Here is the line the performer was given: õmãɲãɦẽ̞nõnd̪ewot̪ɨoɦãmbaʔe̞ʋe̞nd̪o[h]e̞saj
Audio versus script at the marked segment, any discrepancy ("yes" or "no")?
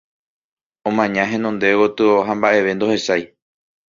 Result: no